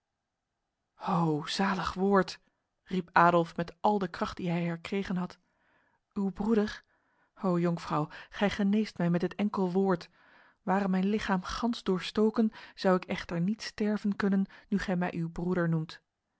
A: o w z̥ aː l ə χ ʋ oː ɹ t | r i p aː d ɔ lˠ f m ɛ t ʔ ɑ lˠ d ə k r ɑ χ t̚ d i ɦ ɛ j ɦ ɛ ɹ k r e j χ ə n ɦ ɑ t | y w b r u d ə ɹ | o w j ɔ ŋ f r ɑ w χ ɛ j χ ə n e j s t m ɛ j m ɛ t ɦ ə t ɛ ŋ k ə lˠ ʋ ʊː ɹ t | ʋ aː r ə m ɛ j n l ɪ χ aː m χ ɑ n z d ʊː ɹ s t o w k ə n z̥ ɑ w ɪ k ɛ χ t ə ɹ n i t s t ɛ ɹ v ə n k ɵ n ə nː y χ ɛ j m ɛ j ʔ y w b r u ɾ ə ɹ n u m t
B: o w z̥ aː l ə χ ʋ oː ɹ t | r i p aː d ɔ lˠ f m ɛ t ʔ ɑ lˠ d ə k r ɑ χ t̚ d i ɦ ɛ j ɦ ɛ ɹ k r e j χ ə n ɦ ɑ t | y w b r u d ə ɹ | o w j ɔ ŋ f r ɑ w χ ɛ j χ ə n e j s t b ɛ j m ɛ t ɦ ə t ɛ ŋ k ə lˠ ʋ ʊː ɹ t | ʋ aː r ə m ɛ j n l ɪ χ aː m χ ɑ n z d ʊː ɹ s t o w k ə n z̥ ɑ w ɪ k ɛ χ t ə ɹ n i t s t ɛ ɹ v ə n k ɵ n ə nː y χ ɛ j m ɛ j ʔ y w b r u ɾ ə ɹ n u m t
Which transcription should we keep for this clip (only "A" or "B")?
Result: A